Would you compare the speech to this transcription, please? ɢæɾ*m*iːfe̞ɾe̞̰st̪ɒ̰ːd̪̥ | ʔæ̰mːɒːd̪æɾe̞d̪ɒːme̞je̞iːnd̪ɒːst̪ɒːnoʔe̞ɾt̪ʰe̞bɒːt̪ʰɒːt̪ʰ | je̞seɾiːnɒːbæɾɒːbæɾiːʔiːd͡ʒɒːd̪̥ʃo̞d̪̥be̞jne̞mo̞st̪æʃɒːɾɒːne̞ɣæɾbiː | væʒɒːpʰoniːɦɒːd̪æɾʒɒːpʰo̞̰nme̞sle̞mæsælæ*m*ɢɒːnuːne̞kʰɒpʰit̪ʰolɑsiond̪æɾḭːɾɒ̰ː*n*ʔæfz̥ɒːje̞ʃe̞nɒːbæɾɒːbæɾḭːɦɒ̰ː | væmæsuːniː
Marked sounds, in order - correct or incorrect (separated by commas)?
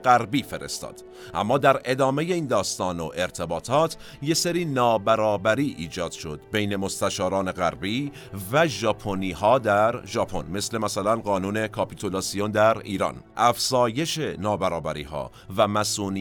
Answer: incorrect, incorrect, correct